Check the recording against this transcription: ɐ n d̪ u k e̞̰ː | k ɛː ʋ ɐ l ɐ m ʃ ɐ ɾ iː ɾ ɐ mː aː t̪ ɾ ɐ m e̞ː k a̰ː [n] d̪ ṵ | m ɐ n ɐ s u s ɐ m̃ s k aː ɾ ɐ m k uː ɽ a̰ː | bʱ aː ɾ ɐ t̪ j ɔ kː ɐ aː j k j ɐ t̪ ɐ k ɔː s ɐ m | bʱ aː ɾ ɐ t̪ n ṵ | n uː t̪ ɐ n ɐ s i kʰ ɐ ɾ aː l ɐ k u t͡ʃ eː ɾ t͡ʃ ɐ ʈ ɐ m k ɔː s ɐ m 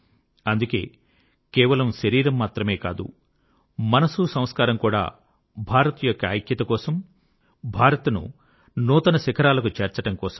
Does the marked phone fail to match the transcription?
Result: yes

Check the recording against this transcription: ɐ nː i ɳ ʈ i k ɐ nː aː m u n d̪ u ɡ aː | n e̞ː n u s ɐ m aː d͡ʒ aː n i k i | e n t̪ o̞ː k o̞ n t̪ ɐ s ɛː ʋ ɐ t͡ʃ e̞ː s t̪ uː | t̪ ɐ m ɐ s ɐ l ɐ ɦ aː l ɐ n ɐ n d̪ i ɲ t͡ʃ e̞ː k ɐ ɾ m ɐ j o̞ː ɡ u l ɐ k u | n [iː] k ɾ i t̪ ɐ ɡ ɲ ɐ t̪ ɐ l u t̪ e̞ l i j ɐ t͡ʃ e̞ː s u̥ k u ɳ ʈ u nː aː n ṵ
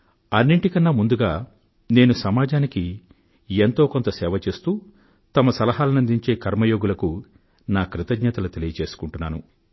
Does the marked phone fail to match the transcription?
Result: yes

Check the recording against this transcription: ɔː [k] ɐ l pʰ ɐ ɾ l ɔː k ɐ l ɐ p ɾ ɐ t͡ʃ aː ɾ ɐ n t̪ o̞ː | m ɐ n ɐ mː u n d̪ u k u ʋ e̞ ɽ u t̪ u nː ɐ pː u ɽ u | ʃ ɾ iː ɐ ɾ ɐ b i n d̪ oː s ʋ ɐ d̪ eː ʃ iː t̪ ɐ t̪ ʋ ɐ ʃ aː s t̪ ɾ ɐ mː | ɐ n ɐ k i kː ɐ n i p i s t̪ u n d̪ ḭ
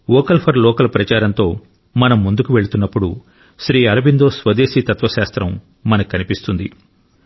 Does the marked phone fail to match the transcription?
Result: no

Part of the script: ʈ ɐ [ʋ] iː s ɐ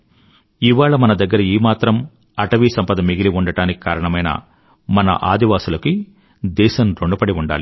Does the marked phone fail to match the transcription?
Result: no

